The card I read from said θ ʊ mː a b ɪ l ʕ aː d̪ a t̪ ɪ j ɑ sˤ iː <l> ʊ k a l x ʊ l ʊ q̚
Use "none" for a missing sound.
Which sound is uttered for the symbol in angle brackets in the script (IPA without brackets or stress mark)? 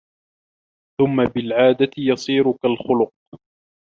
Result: ɾ